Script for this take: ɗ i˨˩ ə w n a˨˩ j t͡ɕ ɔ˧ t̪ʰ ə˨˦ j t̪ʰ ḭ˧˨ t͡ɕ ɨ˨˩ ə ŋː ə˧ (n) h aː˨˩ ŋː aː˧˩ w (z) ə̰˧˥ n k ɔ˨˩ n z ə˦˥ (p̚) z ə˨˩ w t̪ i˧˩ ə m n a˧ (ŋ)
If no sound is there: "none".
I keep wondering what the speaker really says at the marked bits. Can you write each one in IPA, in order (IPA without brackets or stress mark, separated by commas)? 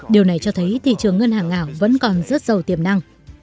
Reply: n, v, t̚, ŋ